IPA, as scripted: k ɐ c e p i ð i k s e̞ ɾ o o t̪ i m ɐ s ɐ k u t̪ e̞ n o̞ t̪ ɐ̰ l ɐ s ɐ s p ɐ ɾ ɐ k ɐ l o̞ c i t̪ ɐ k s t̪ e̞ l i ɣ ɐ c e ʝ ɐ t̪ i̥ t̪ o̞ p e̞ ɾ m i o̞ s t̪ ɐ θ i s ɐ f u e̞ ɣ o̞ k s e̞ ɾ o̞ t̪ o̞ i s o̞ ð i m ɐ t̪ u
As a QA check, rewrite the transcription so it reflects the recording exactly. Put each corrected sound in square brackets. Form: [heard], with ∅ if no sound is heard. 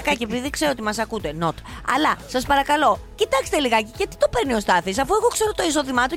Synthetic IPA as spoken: k ɐ c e p i ð i k s e̞ ɾ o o t̪ i m ɐ s ɐ k u t̪ e̞ n o̞ t̪ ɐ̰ l ɐ s ɐ s p ɐ ɾ ɐ k ɐ l o̞ c i t̪ ɐ k s t̪ e̞ l i ɣ ɐ c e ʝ ɐ t̪ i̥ t̪ o̞ p e̞ ɾ [n] i o̞ s t̪ ɐ θ i s ɐ f u e̞ ɣ o̞ k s e̞ ɾ o̞ t̪ o̞ i s o̞ ð i m ɐ t̪ u